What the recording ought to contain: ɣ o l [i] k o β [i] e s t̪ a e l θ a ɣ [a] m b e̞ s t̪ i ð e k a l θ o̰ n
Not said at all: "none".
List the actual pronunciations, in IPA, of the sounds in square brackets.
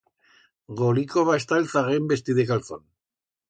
i, a, e

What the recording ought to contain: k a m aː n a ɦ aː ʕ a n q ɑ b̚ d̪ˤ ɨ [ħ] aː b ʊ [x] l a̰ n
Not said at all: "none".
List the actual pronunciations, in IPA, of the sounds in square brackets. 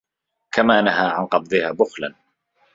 h, x

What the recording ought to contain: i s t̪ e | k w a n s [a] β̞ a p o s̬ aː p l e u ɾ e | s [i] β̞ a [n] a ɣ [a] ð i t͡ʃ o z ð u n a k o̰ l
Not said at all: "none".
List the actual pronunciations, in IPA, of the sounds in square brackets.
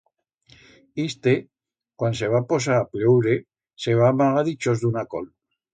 e, e, m, a

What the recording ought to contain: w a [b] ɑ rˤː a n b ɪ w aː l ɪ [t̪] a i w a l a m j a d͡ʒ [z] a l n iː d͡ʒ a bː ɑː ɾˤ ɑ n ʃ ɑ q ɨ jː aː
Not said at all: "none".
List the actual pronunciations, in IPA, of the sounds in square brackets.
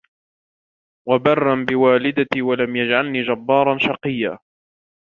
b, d̪, ʕ

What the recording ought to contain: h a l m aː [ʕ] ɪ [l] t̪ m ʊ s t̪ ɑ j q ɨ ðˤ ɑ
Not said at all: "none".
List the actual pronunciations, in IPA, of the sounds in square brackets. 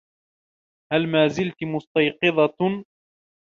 z, l

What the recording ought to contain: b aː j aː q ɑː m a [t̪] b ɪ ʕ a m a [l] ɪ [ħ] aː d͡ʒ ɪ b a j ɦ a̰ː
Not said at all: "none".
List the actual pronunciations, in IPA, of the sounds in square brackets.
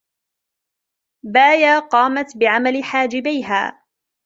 t̪, l, ħ

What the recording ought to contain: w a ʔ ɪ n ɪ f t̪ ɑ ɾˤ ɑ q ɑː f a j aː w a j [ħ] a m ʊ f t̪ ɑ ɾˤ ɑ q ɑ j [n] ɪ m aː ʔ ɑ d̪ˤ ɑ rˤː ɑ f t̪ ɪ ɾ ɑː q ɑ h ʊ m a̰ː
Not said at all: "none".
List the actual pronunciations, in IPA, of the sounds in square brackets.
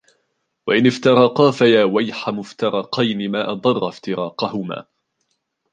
ħ, n

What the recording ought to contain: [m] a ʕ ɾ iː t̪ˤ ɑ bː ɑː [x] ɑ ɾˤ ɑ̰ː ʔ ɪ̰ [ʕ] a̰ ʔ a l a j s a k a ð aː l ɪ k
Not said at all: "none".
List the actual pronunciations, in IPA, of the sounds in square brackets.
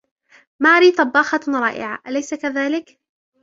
m, x, ʕ

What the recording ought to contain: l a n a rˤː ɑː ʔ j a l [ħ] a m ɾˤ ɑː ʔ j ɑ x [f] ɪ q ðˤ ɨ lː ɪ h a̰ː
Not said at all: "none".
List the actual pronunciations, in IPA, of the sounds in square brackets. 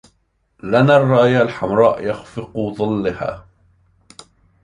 ħ, f

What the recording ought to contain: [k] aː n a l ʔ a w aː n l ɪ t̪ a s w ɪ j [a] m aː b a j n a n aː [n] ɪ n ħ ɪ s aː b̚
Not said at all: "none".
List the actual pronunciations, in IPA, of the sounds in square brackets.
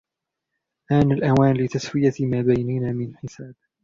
ʔ, a, m

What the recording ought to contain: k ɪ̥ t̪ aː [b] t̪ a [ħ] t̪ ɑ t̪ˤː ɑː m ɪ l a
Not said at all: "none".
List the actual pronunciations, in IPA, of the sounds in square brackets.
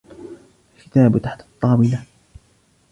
b, ħ

